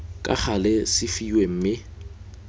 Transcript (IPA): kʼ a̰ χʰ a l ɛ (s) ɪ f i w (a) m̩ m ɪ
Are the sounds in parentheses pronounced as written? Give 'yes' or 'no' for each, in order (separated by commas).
yes, no